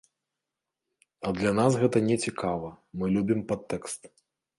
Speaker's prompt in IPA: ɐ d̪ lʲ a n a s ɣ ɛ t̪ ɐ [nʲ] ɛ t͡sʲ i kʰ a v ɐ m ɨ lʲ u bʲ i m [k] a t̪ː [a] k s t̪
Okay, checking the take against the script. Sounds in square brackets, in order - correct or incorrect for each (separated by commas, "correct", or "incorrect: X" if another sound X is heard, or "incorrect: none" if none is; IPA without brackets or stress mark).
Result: correct, incorrect: p, incorrect: ɛ